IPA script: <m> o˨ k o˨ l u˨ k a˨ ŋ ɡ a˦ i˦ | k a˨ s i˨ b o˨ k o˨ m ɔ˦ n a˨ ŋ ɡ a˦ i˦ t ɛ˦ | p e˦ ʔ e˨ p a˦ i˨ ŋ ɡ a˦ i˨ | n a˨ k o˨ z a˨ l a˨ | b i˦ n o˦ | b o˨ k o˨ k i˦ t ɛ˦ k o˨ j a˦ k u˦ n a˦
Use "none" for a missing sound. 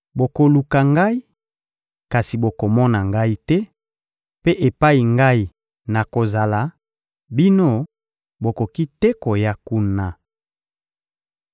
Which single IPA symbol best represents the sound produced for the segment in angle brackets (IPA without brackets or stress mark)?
b